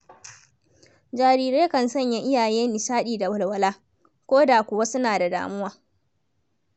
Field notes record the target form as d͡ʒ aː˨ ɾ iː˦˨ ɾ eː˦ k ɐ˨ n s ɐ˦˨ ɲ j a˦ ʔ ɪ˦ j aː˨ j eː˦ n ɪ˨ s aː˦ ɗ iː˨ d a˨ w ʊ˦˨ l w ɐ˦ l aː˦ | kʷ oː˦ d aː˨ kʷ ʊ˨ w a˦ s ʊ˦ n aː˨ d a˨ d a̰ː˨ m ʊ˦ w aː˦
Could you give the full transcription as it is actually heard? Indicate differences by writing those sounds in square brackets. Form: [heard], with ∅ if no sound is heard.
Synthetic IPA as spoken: d͡ʒ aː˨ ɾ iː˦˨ ɾ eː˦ k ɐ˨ n s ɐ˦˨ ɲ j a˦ ʔ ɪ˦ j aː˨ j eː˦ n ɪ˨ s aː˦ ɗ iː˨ d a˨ w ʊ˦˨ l w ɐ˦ l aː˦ | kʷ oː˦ d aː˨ kʷ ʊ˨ w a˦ s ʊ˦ n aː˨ d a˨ d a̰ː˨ m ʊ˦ w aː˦